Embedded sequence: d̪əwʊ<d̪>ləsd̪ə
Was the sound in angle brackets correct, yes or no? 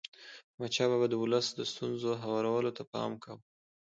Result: no